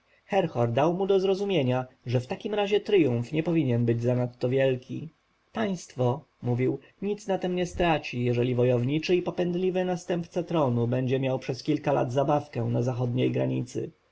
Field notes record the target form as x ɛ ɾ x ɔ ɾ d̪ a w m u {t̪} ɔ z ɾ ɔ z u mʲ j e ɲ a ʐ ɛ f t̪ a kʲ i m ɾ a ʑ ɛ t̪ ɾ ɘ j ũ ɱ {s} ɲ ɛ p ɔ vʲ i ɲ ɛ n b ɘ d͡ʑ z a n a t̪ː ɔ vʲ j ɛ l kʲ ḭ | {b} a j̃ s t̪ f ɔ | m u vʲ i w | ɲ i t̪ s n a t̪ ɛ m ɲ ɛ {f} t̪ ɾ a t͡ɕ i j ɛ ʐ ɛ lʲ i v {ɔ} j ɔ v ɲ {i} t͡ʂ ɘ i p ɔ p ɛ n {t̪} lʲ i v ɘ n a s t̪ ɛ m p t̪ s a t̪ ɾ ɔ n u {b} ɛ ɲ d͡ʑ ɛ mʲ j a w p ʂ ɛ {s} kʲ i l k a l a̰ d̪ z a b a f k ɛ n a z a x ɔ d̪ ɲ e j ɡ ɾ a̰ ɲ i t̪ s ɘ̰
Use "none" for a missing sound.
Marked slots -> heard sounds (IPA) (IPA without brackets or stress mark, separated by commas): d̪, f, p, s, ɔ, i, d̪, b, s